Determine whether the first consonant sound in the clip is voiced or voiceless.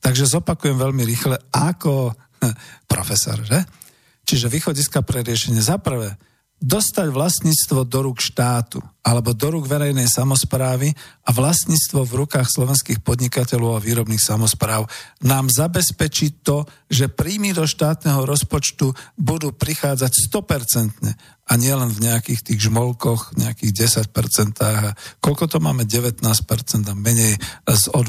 voiceless